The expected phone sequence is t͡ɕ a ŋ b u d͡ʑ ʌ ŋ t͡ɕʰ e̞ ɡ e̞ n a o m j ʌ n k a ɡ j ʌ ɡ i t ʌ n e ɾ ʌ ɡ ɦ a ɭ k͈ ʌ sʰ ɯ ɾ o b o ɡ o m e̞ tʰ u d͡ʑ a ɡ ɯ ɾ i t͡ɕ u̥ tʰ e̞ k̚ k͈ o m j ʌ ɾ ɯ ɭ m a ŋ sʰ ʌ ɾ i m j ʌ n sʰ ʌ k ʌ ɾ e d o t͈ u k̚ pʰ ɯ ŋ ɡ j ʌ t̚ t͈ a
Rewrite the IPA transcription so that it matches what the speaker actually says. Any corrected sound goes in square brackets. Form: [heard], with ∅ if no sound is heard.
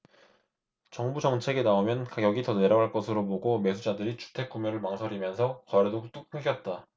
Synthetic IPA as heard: t͡ɕ [ʌ] ŋ b u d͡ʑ ʌ ŋ t͡ɕʰ e̞ ɡ e̞ n a o m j ʌ n k a ɡ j ʌ ɡ i t ʌ n e ɾ ʌ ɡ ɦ a ɭ k͈ ʌ sʰ ɯ ɾ o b o ɡ o m e̞ [sʰ] u d͡ʑ a [d] ɯ ɾ i t͡ɕ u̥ tʰ e̞ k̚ k͈ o m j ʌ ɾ ɯ ɭ m a ŋ sʰ ʌ ɾ i m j ʌ n sʰ ʌ k ʌ ɾ e d o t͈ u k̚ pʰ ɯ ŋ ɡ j ʌ t̚ t͈ a